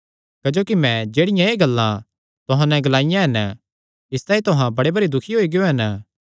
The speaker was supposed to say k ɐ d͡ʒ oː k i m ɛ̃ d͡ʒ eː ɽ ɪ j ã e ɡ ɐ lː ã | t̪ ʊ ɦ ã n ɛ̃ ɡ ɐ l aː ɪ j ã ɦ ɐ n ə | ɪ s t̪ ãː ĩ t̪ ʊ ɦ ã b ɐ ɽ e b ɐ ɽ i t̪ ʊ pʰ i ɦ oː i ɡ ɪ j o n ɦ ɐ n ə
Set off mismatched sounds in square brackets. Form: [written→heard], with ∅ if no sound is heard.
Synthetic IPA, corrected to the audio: k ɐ d͡ʒ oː k i m ɛ̃ d͡ʒ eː ɽ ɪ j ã e ɡ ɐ lː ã | t̪ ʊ ɦ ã n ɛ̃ ɡ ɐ l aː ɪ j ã ɦ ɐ n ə | ɪ s t̪ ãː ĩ t̪ ʊ ɦ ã b ɐ ɽ e b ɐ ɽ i [t̪→d̪] ʊ [pʰ→kʰ] i ɦ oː i ɡ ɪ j o [n→∅] ɦ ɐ n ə